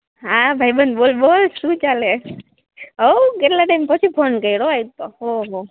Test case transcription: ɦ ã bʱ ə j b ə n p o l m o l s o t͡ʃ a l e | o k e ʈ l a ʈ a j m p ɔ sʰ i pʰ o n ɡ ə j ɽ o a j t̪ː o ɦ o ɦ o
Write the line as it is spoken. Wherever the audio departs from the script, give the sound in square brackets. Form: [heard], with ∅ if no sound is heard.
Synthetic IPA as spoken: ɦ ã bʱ [a] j b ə n [b] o l [b] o l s [u] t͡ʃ a l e | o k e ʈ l a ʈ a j m p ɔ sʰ i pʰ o n [k] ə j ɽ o a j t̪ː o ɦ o ɦ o